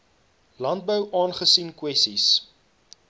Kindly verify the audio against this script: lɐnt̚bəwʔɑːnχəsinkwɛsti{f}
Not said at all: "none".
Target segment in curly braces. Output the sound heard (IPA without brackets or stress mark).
s